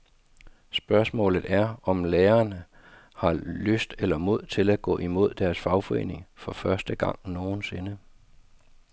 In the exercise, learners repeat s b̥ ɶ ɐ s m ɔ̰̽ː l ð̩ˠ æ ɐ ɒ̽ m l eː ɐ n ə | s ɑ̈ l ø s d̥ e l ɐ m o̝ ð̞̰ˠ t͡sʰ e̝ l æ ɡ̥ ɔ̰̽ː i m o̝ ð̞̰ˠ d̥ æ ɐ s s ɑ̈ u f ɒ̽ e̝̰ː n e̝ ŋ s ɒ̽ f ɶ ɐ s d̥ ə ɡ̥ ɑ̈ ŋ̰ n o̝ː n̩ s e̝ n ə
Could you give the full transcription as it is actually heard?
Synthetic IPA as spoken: s b̥ ɶ ɐ s m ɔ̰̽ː l ð̩ˠ æ ɐ ɒ̽ m l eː ɐ n ə | h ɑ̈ l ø s d̥ e l ɐ m o̝ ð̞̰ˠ t͡sʰ e̝ l æ ɡ̥ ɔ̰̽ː i m o̝ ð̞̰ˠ d̥ æ ɐ s f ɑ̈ ʊ f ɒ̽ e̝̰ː n e̝ ŋ f ɒ̽ f ɶ ɐ s d̥ ə ɡ̥ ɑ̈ ŋ̰ n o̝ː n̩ s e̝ n ə